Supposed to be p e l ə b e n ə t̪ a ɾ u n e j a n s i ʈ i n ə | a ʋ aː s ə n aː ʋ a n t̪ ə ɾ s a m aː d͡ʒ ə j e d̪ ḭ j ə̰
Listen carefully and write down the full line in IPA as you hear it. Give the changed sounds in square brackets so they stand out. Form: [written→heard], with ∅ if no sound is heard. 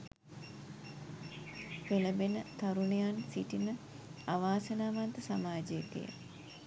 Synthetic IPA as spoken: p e l ə b e n ə t̪ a ɾ u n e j a n s i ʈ i n ə | a ʋ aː s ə n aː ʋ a n t̪ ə [ɾ→∅] s a m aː d͡ʒ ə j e [d̪→t̪] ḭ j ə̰